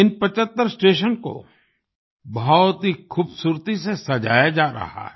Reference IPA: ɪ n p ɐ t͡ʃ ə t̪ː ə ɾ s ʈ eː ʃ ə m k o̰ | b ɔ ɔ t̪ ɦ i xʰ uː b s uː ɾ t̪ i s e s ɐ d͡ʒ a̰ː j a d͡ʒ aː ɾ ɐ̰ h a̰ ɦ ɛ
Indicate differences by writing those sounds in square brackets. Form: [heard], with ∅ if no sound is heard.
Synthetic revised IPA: ɪ n p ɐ t͡ʃ ə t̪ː ə ɾ s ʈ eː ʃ ə [n] k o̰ | b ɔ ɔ t̪ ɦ i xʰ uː b s uː ɾ t̪ i s e s ɐ d͡ʒ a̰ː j a d͡ʒ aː ɾ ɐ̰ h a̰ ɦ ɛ